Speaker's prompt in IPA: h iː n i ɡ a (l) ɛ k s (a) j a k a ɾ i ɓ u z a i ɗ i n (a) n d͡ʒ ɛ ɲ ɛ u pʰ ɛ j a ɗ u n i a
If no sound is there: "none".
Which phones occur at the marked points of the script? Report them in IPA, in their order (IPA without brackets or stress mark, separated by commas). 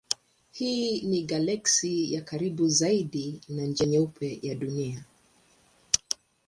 l, i, a